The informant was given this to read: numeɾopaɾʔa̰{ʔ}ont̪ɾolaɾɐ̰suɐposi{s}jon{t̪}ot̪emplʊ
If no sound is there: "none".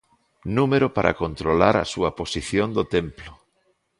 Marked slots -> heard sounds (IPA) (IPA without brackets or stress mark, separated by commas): k, θ, d̪